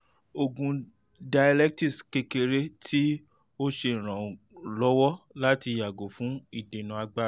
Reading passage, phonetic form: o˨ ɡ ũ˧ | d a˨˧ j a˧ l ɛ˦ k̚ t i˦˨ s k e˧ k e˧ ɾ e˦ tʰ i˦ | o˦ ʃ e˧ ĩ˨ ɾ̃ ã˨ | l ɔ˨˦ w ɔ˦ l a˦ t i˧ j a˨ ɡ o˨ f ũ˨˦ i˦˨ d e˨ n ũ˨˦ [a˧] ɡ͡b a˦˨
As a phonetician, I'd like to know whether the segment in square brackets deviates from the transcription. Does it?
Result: no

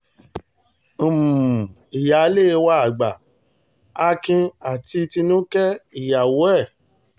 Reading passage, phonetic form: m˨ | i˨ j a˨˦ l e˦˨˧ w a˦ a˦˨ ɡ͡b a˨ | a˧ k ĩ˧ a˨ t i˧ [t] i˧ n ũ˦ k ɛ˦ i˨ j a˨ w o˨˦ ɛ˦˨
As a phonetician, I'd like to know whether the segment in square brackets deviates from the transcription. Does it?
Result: no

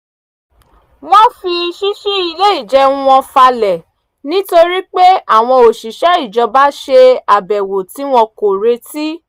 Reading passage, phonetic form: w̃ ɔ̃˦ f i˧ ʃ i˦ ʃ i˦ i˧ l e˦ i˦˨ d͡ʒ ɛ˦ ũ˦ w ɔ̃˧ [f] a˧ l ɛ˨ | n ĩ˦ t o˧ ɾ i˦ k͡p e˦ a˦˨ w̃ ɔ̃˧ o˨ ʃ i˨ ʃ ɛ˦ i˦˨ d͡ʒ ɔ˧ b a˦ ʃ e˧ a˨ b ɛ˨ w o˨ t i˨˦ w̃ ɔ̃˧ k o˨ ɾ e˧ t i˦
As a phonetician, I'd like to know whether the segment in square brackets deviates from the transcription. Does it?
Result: no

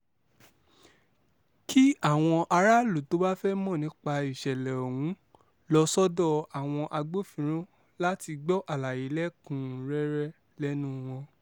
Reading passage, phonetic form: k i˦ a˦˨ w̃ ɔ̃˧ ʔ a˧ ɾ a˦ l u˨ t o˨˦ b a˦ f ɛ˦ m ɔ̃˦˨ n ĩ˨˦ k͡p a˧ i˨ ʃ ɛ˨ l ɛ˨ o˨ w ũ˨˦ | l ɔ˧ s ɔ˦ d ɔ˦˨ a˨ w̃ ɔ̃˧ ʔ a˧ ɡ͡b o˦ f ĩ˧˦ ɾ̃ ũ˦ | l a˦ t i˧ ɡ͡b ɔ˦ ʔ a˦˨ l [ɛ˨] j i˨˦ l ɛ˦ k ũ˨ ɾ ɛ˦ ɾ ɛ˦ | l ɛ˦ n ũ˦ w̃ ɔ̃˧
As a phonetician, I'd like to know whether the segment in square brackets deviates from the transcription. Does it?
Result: yes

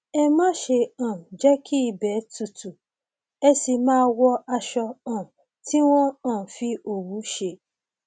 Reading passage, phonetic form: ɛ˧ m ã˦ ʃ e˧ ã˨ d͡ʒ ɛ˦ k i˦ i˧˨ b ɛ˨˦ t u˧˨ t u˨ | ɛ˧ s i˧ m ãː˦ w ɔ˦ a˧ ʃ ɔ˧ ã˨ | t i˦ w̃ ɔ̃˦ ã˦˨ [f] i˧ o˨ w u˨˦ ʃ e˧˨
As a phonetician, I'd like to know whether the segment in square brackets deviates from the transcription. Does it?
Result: no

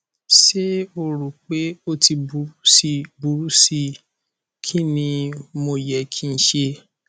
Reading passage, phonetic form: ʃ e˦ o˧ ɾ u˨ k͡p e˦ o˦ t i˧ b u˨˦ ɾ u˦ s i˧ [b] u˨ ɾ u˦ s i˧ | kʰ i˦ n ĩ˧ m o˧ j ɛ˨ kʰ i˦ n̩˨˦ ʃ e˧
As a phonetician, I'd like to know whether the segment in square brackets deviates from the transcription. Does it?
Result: no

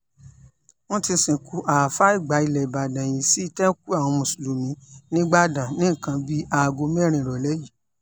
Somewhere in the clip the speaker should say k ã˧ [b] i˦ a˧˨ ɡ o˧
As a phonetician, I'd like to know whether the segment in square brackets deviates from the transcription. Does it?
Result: no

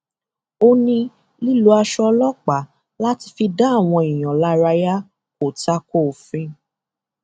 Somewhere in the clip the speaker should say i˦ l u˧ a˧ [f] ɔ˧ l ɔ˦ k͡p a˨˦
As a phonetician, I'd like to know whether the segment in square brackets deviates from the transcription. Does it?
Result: yes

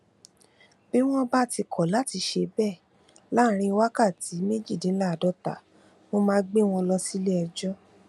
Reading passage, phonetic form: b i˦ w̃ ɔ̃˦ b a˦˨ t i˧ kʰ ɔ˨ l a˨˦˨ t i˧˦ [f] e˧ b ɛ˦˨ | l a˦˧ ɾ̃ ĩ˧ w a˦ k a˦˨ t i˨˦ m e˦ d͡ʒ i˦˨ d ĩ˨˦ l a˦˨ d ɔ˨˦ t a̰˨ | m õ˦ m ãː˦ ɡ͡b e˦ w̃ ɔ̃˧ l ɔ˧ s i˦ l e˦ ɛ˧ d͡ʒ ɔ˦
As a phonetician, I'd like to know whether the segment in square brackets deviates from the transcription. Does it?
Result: yes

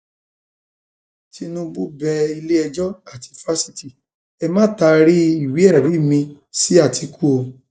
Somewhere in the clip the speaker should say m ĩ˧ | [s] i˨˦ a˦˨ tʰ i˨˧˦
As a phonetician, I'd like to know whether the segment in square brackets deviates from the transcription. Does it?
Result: no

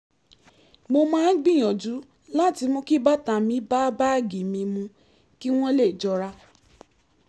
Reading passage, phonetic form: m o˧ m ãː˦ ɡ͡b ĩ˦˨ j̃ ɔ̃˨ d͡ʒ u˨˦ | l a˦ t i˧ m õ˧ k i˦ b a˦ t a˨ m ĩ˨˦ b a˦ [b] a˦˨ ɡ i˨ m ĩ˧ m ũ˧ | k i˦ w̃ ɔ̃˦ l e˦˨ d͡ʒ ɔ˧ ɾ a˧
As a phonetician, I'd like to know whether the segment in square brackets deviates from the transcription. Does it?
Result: no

